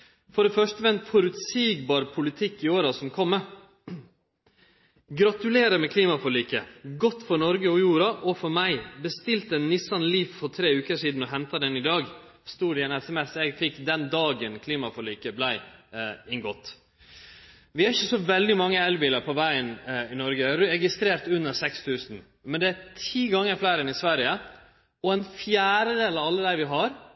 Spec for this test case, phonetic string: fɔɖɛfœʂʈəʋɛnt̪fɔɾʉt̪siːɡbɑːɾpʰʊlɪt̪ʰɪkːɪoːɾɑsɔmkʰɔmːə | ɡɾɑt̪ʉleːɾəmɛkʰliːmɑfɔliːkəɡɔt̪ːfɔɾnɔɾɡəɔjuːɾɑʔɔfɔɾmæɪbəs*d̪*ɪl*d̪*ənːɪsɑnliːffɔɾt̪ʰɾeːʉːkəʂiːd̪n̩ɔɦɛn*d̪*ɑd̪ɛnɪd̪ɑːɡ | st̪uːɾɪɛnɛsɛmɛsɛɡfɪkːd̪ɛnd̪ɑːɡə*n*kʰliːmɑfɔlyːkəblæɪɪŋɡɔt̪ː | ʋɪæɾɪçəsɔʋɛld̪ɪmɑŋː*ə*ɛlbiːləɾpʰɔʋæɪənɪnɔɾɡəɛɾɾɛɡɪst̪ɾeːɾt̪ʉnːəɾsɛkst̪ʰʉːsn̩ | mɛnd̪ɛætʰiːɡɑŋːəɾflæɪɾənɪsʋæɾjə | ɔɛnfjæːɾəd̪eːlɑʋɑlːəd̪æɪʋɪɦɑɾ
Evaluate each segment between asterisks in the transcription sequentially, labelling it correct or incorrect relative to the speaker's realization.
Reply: incorrect, incorrect, incorrect, correct, correct

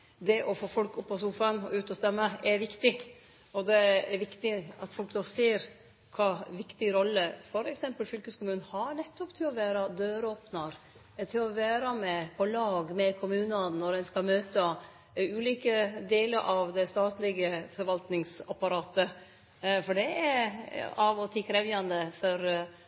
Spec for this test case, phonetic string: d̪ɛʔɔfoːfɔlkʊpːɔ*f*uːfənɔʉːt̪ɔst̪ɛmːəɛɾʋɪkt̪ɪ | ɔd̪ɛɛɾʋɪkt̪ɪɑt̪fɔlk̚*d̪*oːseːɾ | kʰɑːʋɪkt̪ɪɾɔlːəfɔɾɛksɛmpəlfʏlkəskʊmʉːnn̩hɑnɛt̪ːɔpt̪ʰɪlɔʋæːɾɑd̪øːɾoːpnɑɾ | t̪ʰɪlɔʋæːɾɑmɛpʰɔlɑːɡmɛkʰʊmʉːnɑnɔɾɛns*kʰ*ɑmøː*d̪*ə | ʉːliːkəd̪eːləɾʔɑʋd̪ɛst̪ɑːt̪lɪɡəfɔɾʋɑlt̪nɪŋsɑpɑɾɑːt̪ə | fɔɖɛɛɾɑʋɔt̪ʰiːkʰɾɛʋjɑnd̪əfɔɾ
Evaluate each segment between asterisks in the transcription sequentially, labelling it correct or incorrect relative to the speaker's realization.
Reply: incorrect, correct, incorrect, incorrect

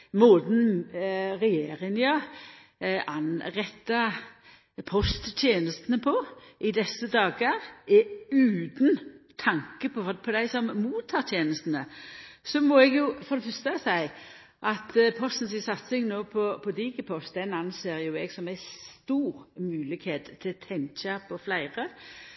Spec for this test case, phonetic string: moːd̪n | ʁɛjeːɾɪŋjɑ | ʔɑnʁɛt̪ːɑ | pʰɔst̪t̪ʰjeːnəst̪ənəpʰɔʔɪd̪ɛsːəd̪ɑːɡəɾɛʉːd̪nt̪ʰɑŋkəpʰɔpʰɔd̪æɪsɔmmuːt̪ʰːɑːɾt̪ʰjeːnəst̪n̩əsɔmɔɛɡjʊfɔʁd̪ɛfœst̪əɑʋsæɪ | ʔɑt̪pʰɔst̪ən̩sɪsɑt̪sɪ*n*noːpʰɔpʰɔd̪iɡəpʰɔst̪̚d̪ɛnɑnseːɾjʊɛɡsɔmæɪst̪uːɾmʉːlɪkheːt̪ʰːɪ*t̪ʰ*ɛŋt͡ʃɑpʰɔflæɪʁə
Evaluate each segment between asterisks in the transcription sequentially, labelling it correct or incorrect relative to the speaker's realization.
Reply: incorrect, correct

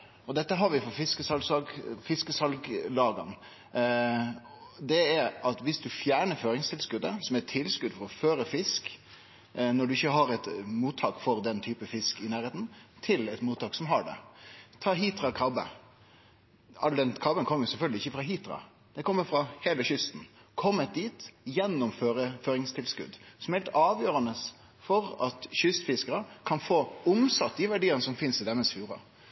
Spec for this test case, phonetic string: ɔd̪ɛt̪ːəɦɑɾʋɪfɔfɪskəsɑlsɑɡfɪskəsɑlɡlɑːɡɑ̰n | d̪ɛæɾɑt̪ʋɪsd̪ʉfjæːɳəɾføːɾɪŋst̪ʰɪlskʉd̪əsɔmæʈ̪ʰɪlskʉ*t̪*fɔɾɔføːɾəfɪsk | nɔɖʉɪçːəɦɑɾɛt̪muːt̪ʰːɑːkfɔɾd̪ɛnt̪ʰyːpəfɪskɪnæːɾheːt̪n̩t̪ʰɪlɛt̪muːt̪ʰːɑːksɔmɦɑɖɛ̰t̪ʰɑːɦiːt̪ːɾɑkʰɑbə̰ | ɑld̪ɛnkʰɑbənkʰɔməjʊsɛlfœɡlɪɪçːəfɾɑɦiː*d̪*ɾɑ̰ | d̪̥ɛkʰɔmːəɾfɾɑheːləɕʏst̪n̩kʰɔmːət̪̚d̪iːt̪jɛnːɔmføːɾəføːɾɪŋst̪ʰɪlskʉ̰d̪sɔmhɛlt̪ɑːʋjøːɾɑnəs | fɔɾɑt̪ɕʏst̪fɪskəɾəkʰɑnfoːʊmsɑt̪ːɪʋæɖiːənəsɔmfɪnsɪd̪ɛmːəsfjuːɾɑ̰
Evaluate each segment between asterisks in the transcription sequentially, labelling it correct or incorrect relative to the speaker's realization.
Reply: incorrect, incorrect

